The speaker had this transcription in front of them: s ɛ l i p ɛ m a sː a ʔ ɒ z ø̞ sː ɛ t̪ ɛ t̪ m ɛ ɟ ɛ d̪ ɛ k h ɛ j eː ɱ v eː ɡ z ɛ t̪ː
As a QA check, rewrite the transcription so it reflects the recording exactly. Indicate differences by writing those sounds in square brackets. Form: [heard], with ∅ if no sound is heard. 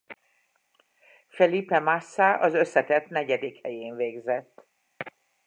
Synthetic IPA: [f] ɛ l i p ɛ m a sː a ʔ ɒ z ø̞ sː ɛ t̪ ɛ t̪ [n] ɛ ɟ ɛ d̪ [i] k h ɛ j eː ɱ v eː ɡ z ɛ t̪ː